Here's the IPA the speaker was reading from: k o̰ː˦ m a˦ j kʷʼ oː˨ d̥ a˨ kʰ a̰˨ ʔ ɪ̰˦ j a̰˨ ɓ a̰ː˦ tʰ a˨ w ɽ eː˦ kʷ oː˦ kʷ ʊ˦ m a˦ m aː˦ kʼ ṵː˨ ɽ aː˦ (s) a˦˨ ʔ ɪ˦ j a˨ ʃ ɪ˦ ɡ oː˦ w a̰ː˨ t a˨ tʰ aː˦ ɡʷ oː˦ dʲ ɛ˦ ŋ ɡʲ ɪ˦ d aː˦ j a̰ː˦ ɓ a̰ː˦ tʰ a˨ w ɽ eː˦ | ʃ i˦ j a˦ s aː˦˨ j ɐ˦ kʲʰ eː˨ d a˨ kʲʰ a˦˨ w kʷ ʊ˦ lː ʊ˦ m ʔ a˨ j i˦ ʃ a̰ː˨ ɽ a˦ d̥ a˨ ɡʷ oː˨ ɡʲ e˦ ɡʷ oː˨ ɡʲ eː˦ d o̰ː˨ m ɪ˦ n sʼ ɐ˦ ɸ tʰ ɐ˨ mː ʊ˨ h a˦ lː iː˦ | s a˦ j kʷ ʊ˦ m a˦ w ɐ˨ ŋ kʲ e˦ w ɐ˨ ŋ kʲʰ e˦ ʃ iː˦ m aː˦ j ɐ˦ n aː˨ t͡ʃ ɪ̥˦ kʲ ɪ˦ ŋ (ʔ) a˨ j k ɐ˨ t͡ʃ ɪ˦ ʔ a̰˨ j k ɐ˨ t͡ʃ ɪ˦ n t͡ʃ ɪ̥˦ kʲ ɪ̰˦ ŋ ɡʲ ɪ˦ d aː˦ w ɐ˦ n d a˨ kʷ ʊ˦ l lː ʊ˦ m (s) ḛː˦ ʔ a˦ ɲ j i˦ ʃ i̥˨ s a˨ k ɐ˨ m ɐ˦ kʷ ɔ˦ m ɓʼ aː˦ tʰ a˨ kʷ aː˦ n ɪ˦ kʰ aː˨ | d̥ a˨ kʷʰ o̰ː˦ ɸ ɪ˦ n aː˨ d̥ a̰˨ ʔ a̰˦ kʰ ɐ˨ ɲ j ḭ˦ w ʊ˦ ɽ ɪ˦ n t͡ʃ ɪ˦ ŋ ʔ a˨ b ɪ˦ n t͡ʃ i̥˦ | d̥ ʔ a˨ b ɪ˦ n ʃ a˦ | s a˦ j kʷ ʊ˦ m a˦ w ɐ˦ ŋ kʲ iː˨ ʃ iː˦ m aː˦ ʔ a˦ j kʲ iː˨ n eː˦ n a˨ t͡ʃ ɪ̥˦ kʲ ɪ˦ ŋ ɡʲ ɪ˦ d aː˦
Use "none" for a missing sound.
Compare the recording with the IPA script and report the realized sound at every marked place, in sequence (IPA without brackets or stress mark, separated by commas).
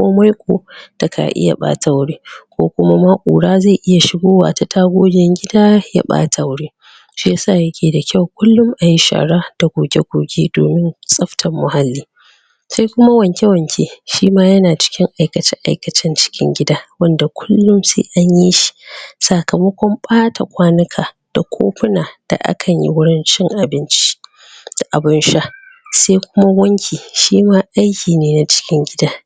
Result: z, ʔ, s